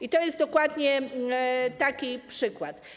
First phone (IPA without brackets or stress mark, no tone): i